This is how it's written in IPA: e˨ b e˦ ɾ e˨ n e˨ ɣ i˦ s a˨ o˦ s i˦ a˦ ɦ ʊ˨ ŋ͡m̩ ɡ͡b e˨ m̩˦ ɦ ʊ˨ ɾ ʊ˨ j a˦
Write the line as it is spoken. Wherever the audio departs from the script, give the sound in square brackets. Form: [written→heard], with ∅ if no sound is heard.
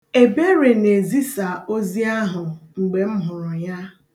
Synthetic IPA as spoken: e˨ b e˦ ɾ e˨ n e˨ [ɣ→z] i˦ s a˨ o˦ [s→z] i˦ a˦ ɦ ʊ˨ ŋ͡m̩ ɡ͡b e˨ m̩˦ ɦ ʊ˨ ɾ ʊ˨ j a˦